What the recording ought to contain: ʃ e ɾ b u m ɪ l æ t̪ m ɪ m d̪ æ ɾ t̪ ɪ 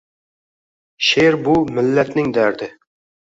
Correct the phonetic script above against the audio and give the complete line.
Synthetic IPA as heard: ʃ e ɾ b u m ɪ lː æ t̪ n ɪ ŋ d̪ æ ɾ d̪ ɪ